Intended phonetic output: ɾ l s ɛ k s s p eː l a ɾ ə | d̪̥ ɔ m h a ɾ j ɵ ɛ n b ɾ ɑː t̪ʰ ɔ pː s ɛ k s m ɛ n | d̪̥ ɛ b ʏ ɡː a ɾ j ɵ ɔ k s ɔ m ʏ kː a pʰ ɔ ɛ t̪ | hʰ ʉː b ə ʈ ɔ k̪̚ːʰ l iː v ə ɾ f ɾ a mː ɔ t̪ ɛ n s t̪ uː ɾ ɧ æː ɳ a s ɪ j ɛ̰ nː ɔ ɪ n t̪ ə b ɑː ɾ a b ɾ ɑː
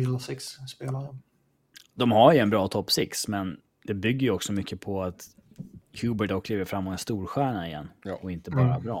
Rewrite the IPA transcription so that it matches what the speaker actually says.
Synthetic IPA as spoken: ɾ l s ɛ k s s p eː l a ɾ ə | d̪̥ ɔ m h a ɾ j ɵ ɛ n b ɾ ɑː t̪ʰ ɔ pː s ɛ k s m ɛ n | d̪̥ ɛ b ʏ ɡː ə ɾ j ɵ ɔ k s ɔ m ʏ kː ə pʰ ɔ a t̪ | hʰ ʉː b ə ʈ ɔ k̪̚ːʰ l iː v ə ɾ f ɾ a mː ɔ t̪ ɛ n s t̪ uː ɾ ɧ æː ɳ a ɪ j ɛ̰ nː ɔ ɪ n t̪ ə b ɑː ɾ a b ɾ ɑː